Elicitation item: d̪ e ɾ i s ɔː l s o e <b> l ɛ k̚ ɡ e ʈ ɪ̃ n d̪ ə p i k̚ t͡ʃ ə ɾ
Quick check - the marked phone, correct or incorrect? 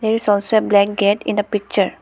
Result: correct